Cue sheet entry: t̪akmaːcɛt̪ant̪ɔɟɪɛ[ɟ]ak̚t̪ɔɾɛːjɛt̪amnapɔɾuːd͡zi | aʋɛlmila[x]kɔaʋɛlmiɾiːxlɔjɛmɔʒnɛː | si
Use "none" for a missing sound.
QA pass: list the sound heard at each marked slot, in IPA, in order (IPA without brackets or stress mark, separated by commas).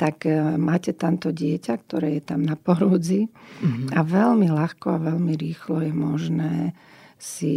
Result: c, x